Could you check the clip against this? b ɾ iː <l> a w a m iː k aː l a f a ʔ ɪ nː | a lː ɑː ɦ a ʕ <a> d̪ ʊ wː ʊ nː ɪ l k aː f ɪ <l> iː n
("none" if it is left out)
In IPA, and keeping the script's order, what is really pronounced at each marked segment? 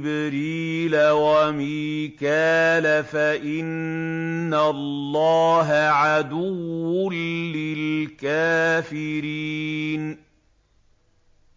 l, a, ɾ

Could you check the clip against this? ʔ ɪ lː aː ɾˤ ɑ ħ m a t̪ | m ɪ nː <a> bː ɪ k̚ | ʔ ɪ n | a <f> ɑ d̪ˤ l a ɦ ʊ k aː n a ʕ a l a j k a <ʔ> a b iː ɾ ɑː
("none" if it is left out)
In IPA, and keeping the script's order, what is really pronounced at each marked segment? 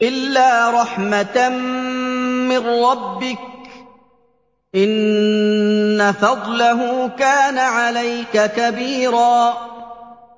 ɑ, f, k

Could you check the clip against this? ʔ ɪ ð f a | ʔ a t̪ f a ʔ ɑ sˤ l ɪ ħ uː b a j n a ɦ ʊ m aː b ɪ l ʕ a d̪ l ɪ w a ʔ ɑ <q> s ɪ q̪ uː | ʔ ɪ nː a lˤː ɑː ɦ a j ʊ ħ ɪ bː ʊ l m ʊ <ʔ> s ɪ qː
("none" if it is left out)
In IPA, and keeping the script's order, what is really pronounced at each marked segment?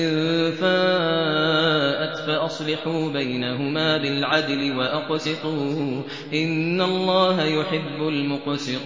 q, q

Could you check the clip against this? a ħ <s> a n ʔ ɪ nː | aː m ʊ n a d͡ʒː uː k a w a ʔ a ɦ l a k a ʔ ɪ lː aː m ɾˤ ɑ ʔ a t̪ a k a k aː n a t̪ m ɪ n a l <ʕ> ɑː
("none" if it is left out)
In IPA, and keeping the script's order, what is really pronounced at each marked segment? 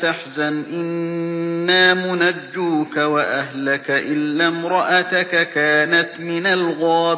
z, ɣ

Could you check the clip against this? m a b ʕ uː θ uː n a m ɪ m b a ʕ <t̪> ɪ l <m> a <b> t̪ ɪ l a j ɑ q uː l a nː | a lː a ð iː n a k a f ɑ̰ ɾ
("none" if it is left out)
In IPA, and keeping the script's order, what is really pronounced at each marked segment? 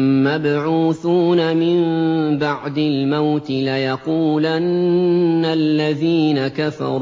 d̪, m, w

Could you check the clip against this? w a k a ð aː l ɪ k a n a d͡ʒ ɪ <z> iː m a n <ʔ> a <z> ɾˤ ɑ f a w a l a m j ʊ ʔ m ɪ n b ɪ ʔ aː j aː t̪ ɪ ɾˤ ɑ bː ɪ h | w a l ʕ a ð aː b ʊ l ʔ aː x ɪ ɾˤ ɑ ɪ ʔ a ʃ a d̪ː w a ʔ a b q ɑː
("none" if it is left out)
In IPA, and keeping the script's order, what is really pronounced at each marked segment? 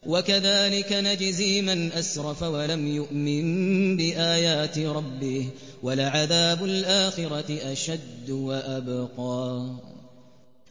z, ʔ, s

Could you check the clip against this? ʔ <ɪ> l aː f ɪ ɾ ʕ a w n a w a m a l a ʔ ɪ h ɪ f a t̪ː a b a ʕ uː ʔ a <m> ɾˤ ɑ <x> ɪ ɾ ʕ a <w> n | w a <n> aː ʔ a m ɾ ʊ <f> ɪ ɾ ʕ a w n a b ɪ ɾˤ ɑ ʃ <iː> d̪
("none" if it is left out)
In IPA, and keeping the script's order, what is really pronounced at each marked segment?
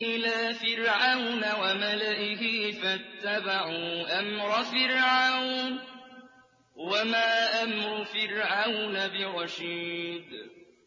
ɪ, m, f, w, m, f, iː

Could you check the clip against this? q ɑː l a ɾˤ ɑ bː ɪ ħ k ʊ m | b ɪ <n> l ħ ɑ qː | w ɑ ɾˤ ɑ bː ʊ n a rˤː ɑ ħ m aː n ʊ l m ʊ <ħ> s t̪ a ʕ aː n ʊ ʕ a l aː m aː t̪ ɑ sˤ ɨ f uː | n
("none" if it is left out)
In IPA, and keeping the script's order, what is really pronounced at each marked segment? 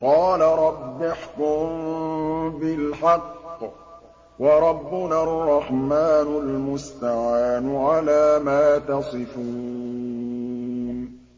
none, none

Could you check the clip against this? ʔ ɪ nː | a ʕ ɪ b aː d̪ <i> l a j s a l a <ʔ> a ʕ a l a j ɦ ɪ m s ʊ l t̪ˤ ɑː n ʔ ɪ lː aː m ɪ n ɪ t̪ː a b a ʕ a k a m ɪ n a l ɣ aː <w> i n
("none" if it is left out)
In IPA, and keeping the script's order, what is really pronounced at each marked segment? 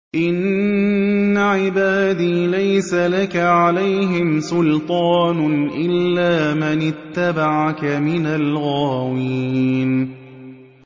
iː, k, w

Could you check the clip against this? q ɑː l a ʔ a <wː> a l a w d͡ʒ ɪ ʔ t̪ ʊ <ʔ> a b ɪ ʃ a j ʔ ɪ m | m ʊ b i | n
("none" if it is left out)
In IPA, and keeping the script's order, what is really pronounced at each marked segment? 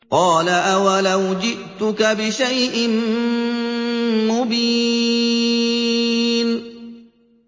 w, k

